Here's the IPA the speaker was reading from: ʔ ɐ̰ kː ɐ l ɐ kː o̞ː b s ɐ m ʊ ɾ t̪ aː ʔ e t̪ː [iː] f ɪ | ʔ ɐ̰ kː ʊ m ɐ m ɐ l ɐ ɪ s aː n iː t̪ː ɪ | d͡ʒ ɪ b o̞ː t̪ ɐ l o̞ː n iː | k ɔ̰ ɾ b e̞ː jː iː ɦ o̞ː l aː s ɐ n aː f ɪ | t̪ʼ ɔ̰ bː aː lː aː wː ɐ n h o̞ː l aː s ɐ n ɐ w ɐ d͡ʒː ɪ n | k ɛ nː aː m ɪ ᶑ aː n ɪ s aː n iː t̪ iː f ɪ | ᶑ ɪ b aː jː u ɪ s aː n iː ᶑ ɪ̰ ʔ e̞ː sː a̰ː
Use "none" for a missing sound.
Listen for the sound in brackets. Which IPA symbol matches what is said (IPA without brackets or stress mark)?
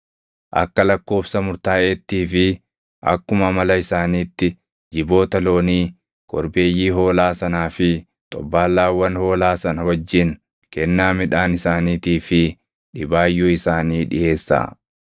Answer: iː